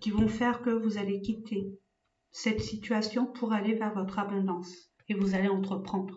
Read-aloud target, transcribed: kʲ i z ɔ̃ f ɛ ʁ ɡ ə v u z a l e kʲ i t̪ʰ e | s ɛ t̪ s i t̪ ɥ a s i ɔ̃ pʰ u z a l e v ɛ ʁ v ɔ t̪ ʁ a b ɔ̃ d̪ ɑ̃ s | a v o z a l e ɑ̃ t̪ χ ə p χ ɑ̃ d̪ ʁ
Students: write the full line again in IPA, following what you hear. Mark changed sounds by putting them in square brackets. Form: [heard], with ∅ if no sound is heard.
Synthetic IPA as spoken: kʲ i [v] ɔ̃ f ɛ ʁ [k] ə v u z a l e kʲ i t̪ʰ e | s ɛ t̪ s i t̪ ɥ a s [j] ɔ̃ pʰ u [ʁ] a l e v ɛ ʁ v ɔ t̪ [χ] a b ɔ̃ d̪ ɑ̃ s | [e] v [u] z a l e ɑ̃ t̪ χ ə p χ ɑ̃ d̪ ʁ